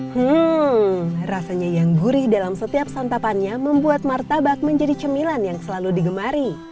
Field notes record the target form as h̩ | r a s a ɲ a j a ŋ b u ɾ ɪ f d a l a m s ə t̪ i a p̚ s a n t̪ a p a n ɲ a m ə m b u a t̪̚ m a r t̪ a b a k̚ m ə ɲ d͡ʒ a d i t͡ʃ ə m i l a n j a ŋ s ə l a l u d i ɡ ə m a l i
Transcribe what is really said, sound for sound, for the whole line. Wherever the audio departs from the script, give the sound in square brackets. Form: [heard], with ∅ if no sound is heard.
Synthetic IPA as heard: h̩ | r a s a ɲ a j a ŋ b u ɾ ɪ [h] d a l a m s ə t̪ i a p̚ s a n t̪ a p a n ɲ a m ə m b u a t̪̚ m a r t̪ a b a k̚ m ə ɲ d͡ʒ a d i t͡ʃ ə m i l a n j a ŋ s ə l a l u d i ɡ ə m a [ɾ] i